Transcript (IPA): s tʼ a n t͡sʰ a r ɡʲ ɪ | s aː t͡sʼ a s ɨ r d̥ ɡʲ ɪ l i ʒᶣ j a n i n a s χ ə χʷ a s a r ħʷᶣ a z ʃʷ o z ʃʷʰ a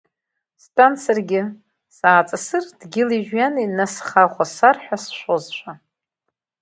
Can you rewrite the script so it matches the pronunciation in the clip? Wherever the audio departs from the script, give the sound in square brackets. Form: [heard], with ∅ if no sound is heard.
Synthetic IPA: s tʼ a n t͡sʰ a r ɡʲ ɪ | s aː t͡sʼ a s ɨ r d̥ ɡʲ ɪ l i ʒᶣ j a n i n a s χ [a] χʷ a s a r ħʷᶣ a [s] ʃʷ o z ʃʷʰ a